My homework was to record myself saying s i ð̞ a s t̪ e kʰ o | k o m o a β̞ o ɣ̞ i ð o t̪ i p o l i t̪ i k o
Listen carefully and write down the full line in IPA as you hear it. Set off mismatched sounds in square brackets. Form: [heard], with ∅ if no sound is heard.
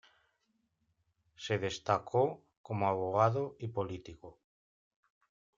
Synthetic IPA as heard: s [e] ð̞ [e] s t̪ [a] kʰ o | k o m o a β̞ o ɣ̞ [a] ð o [∅] i p o l i t̪ i k o